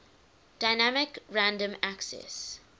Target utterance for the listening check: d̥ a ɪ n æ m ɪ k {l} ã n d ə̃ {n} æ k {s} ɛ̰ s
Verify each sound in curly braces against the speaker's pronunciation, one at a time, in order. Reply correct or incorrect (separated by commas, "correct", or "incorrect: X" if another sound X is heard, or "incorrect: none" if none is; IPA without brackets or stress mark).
incorrect: ɹ, incorrect: m, correct